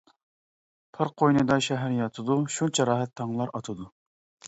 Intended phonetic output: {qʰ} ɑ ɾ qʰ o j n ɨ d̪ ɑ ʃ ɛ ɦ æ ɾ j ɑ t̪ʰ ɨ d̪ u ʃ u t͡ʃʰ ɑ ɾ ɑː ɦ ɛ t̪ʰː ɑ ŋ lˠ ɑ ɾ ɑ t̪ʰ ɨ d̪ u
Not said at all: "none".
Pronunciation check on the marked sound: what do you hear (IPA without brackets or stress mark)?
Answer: pʰ